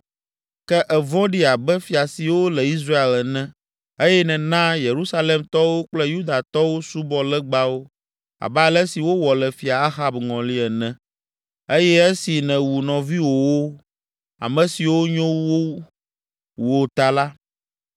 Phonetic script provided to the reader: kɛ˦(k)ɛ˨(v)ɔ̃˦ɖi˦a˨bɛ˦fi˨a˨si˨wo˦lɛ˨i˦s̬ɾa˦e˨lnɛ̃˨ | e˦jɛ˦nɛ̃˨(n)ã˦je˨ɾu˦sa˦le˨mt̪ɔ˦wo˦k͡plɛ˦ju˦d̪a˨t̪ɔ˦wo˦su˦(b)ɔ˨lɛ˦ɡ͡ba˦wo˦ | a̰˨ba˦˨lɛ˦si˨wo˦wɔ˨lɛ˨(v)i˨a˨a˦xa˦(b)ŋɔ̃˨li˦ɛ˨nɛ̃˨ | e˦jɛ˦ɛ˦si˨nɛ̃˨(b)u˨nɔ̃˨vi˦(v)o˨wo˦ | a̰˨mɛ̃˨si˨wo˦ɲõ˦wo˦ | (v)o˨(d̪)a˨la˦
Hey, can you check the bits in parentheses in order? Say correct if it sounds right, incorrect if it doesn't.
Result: incorrect: ʔ, correct, correct, correct, incorrect: f, correct, incorrect: w, incorrect: w, incorrect: w, incorrect: t̪

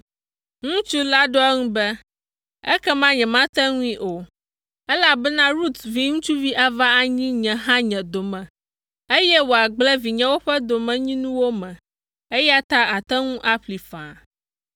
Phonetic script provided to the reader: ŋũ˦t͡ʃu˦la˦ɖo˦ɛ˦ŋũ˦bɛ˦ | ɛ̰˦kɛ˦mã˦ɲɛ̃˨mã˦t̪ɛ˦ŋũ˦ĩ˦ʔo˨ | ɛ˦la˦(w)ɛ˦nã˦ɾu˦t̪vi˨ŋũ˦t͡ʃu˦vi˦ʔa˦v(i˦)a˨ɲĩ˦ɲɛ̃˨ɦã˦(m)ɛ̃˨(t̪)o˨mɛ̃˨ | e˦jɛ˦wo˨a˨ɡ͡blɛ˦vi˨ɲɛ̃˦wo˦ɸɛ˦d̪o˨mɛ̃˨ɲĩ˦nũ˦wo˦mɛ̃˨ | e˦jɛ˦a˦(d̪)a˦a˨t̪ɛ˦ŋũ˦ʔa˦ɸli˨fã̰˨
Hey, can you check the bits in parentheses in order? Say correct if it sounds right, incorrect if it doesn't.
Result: incorrect: b, incorrect: a˦, incorrect: ɲ, incorrect: d̪, incorrect: t̪

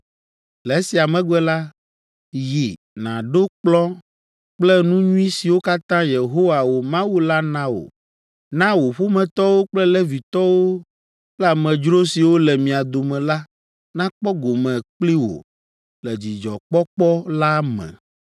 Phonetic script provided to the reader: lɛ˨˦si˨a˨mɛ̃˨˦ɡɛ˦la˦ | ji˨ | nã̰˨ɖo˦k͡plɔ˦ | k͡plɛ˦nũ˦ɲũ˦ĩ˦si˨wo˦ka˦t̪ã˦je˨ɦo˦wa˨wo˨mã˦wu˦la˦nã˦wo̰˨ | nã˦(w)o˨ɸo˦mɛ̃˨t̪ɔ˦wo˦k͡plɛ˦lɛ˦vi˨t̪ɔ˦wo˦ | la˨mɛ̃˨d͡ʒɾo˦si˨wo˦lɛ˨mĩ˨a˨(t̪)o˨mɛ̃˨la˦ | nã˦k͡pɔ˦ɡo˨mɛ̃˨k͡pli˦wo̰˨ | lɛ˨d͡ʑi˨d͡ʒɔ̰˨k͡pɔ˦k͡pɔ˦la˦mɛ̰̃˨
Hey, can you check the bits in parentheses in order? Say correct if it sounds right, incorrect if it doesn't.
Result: correct, incorrect: d̪

